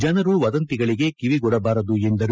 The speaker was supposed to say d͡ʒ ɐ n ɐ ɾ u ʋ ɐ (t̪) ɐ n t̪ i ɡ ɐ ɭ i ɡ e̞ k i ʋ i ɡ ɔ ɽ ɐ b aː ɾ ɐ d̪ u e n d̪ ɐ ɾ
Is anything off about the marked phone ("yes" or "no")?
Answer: yes